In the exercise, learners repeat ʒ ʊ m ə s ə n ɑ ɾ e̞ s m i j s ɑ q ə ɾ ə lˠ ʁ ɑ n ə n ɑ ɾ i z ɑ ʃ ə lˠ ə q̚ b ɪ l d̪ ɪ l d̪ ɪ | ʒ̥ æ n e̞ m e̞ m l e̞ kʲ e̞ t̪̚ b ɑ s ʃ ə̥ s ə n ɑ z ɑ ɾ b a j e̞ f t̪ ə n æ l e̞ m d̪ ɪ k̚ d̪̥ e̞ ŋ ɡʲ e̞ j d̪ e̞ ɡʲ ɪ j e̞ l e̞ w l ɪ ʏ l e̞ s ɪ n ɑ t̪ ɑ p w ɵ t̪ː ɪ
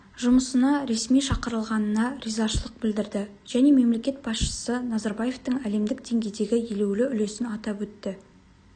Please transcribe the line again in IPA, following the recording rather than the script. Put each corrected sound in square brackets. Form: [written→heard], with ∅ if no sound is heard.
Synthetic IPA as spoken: ʒ ʊ m ə s ə n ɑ ɾ e̞ s m i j [s→ʃ] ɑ q ə ɾ ə lˠ ʁ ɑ n ə n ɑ ɾ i z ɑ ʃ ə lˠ ə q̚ b ɪ l d̪ ɪ [l→ɾ] d̪ ɪ | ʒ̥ æ n e̞ m e̞ m l e̞ kʲ e̞ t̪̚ b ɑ s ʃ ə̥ s ə n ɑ z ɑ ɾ b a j e̞ f t̪ ə [n→ɴ] æ l e̞ m d̪ ɪ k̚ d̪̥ e̞ ŋ ɡʲ e̞ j d̪ e̞ ɡʲ ɪ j e̞ l e̞ w l ɪ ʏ l e̞ s ɪ n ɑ t̪ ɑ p w ɵ t̪ː ɪ